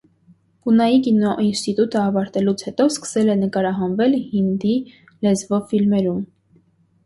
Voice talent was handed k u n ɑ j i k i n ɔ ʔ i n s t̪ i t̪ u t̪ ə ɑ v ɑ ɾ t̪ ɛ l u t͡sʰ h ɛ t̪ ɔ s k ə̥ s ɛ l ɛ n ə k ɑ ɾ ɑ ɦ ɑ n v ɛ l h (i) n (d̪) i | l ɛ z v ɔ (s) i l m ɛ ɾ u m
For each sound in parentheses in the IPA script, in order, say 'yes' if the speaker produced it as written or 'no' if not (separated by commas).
yes, yes, no